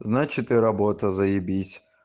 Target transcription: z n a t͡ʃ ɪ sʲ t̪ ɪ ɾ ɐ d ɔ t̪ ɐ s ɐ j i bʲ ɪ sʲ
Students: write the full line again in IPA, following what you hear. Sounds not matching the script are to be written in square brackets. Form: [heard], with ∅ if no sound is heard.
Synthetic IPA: z n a t͡ʃ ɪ [∅] t̪ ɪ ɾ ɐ [b] ɔ t̪ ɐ [z] ɐ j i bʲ [i] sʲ

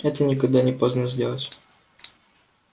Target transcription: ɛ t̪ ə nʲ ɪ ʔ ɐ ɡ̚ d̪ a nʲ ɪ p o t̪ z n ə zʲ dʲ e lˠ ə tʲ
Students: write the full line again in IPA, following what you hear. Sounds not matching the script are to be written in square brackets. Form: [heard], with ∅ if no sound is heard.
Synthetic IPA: ɛ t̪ ə nʲ ɪ [k] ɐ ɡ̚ d̪ a nʲ ɪ p o [∅] z n ə zʲ dʲ e lˠ ə tʲ

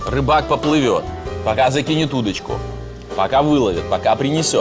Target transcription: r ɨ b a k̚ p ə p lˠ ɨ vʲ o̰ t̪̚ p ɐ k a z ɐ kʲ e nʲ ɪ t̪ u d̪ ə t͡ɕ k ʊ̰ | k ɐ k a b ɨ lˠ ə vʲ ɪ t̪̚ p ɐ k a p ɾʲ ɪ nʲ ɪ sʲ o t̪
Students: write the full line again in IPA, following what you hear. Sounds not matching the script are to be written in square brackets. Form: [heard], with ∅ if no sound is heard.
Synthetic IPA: r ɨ b a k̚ p ə p lˠ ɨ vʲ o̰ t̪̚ p ɐ k a z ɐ kʲ [i] nʲ ɪ t̪ u d̪ ə t͡ɕ k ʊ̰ | [p] ɐ k a [v] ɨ lˠ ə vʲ ɪ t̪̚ p ɐ k a p ɾʲ ɪ nʲ ɪ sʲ o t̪

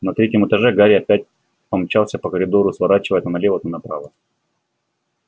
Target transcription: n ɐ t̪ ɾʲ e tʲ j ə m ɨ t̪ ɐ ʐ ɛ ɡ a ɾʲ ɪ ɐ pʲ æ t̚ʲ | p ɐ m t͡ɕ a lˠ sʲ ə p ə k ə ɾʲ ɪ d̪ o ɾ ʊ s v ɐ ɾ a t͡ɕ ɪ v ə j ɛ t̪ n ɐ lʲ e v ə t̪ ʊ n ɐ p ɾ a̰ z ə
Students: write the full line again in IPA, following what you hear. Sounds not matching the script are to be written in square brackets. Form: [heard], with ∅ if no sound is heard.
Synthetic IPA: n ɐ t̪ ɾʲ e tʲ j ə m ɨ t̪ ɐ ʐ ɛ ɡ a ɾʲ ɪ ɐ pʲ æ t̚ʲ | p ɐ m t͡ɕ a lˠ sʲ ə p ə k ə ɾʲ ɪ d̪ o ɾ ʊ s v ɐ ɾ a t͡ɕ ɪ v ə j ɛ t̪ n ɐ lʲ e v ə t̪ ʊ n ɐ p ɾ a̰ [v] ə

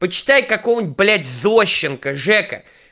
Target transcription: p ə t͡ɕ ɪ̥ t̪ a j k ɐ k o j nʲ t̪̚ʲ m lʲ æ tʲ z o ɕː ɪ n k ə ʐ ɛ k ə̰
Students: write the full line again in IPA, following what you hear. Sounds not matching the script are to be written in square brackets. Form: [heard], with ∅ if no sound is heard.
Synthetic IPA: p ə t͡ɕ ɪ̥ t̪ a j k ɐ k o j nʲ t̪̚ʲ [b] lʲ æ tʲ z o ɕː ɪ n k ə ʐ ɛ k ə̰

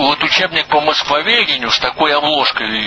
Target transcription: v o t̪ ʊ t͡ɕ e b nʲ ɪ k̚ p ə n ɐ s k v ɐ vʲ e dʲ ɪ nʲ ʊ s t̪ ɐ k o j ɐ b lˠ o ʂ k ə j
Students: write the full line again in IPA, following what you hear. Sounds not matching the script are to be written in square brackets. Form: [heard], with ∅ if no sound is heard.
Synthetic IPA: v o t̪ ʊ t͡ɕ e b nʲ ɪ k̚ p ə [m] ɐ s k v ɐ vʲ e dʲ ɪ nʲ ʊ s t̪ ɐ k o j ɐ b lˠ o ʂ k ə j

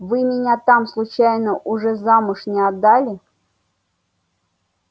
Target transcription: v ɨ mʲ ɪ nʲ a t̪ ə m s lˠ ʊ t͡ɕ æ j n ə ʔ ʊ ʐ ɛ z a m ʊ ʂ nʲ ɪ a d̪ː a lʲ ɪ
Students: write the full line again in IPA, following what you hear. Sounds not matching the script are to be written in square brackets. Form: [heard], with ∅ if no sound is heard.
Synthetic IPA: v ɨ mʲ ɪ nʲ a t̪ [a] m s lˠ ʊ t͡ɕ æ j n ə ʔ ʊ ʐ ɛ z a m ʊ ʂ nʲ ɪ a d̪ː a lʲ ɪ

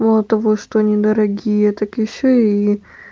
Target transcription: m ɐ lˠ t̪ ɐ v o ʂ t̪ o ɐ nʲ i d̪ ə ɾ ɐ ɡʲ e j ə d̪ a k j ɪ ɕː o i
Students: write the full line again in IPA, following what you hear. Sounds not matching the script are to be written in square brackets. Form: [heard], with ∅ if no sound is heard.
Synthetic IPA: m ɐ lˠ t̪ ɐ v o ʂ t̪ o ɐ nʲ i d̪ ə ɾ ɐ ɡʲ [i] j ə [t̪] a k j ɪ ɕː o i

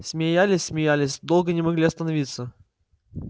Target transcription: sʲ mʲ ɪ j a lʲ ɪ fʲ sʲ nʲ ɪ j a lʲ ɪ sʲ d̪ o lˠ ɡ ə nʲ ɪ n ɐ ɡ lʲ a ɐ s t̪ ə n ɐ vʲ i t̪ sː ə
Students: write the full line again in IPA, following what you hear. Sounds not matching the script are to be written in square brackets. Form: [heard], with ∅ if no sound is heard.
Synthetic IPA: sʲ mʲ ɪ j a lʲ ɪ [sʲ] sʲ [mʲ] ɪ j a lʲ ɪ sʲ d̪ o lˠ ɡ ə nʲ ɪ [m] ɐ ɡ lʲ [i] ɐ s t̪ ə n ɐ vʲ i t̪ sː ə

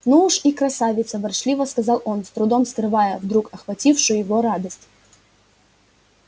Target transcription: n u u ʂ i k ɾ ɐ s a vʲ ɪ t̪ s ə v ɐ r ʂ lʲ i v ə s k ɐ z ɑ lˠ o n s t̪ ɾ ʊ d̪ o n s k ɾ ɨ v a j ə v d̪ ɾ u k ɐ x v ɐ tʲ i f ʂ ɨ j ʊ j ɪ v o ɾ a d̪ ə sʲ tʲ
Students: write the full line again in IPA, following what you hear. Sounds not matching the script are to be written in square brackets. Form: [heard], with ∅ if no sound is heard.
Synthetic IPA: n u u ʂ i k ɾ ɐ s a vʲ ɪ t̪ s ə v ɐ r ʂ lʲ i v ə s k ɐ z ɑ lˠ o n s t̪ ɾ ʊ d̪ o [m] s k ɾ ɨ v a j ə v d̪ ɾ u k ɐ x v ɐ tʲ i f ʂ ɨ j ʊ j ɪ v o ɾ a d̪ ə sʲ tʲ

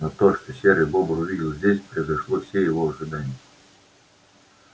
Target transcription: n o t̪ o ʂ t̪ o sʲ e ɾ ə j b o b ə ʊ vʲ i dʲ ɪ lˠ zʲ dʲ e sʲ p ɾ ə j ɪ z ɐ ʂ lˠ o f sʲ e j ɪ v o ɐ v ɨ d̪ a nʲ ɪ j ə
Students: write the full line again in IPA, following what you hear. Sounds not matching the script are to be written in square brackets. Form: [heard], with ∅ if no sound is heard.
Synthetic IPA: n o t̪ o ʂ t̪ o sʲ e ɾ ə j b o b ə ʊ vʲ i dʲ ɪ lˠ zʲ dʲ e sʲ p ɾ ə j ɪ z ɐ ʂ lˠ o f sʲ e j ɪ v o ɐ [ʐ] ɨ d̪ a nʲ ɪ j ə

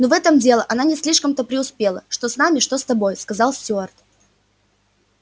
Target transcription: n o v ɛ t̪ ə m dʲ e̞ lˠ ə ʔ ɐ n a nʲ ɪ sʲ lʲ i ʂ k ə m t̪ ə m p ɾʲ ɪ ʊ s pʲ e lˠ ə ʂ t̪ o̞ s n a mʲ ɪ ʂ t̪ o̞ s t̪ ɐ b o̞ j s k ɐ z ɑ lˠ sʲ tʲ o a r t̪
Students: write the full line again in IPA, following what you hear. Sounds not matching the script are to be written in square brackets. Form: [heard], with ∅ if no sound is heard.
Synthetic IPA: n o v ɛ t̪ ə m dʲ e̞ lˠ ə ʔ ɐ n a nʲ ɪ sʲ lʲ i ʂ k ə m t̪ ə [∅] p ɾʲ ɪ ʊ s pʲ e lˠ ə ʂ t̪ o̞ s n a mʲ ɪ ʂ t̪ o̞ s t̪ ɐ b o̞ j s k ɐ z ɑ lˠ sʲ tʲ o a r t̪

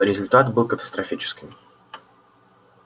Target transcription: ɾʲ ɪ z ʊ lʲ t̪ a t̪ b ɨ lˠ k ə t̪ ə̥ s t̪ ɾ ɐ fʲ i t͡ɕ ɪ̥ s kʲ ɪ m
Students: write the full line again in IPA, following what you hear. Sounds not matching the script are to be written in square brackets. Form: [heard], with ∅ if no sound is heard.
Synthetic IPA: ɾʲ ɪ z ʊ lʲ t̪ a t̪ b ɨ lˠ k ə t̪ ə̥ s t̪ ɾ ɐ fʲ i t͡ɕ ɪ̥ s kʲ ɪ m

